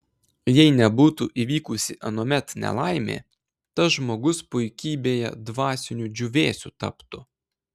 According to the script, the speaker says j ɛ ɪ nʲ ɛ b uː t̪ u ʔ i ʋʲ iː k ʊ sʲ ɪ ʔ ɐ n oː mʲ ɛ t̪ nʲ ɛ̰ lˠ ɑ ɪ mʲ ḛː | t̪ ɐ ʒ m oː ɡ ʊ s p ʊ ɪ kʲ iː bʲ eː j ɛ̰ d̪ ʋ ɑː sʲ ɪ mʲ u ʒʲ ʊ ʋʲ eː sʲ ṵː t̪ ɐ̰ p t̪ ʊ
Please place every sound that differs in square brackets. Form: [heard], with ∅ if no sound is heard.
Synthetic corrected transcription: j ɛ ɪ nʲ ɛ b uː t̪ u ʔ i ʋʲ iː k ʊ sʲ ɪ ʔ ɐ n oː mʲ ɛ t̪ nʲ ɛ̰ lˠ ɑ ɪ mʲ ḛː | t̪ ɐ ʒ m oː ɡ ʊ s p ʊ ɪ kʲ iː bʲ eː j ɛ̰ d̪ ʋ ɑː sʲ ɪ [nʲ] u [d͡ʒʲ] ʊ ʋʲ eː sʲ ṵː t̪ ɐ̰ p t̪ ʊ